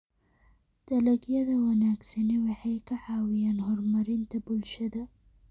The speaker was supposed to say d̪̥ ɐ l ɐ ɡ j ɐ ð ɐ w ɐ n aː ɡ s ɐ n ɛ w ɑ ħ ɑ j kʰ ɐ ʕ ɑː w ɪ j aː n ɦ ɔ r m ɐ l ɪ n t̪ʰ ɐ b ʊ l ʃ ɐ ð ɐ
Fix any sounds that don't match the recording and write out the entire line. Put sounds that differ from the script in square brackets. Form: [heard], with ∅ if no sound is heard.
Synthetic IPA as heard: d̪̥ ɐ l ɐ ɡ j ɐ ð ɐ w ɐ n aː ɡ s ɐ n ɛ w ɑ ħ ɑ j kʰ ɐ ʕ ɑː w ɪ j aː n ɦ ɔ r m ɐ [ɾ] ɪ n t̪ʰ ɐ b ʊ l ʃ ɐ ð ɐ